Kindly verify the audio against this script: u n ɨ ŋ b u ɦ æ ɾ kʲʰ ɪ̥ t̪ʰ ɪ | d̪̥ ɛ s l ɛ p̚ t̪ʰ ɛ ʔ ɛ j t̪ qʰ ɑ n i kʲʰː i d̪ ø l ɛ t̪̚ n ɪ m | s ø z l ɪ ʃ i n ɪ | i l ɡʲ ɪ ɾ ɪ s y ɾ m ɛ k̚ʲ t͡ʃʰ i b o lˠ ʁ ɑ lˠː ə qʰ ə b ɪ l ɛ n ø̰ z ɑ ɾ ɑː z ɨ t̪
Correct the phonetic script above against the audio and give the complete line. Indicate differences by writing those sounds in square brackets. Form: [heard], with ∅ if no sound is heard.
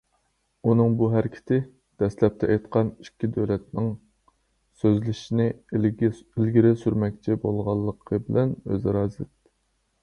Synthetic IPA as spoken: u n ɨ ŋ b u ɦ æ ɾ kʲʰ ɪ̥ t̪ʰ ɪ | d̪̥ ɛ s l ɛ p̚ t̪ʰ ɛ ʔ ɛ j t̪ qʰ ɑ n i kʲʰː i d̪ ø l ɛ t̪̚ n ɪ [ŋ] | s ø z l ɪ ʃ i n ɪ | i l ɡʲ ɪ ɾ ɪ s y ɾ m ɛ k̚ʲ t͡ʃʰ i b o lˠ ʁ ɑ lˠː ə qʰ ə b ɪ l ɛ n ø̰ z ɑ ɾ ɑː z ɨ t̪